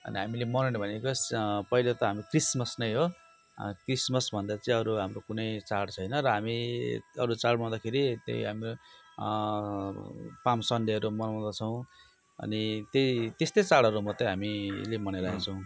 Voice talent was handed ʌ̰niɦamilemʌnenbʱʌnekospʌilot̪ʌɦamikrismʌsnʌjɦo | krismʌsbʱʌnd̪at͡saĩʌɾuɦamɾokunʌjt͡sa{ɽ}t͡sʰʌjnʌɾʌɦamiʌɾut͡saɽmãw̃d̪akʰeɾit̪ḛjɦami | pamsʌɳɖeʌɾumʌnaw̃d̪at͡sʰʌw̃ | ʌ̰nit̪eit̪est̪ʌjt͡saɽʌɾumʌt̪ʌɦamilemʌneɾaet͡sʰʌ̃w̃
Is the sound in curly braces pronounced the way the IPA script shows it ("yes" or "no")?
yes